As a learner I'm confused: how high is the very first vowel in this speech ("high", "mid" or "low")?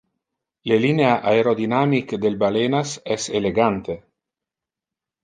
mid